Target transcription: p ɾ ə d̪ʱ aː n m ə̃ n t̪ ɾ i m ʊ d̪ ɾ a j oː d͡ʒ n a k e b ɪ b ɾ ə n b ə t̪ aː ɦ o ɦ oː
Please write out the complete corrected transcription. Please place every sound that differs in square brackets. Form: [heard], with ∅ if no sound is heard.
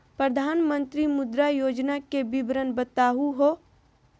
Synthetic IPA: p ɾ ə d̪ʱ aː n m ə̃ n t̪ ɾ i m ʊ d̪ ɾ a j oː d͡ʒ n a k e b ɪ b ɾ ə n b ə t̪ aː ɦ [u] ɦ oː